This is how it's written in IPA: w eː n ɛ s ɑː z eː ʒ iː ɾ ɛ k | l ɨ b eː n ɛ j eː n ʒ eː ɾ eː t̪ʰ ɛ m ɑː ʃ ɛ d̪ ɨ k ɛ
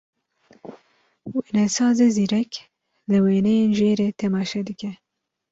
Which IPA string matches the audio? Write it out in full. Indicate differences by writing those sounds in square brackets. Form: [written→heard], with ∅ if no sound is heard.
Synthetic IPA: w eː n ɛ s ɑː z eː [ʒ→z] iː ɾ ɛ k | l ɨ [b→w] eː n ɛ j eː n ʒ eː ɾ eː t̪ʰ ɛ m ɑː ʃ ɛ d̪ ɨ k ɛ